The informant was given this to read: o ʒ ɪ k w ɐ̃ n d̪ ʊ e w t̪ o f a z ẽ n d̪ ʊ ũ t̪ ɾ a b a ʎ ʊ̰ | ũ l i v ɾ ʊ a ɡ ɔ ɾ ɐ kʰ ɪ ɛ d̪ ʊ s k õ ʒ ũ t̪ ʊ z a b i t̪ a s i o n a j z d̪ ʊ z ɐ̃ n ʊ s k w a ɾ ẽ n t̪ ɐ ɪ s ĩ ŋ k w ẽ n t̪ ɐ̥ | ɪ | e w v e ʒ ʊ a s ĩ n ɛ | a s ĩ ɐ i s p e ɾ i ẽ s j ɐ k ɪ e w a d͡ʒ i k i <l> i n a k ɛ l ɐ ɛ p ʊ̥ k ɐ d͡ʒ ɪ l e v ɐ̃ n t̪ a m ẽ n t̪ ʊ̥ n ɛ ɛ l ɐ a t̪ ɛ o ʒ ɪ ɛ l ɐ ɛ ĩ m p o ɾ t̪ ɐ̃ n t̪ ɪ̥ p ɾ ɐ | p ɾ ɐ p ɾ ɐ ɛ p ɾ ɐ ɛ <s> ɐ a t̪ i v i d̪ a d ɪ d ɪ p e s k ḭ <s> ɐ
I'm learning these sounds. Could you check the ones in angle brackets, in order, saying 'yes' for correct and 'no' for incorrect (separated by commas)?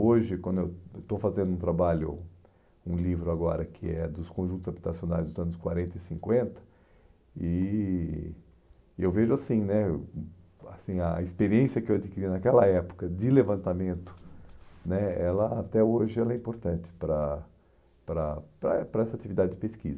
no, yes, no